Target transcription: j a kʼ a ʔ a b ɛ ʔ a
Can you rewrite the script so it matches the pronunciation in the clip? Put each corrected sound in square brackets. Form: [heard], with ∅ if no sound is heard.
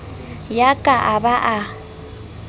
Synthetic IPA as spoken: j a kʼ a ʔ a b [a] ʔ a